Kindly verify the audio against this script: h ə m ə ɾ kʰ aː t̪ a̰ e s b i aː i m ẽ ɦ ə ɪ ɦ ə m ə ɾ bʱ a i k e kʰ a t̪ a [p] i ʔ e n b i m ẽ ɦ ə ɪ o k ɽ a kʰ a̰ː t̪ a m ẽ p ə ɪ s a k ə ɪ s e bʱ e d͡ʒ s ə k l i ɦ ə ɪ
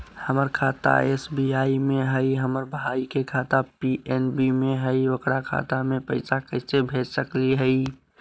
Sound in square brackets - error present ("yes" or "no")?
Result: no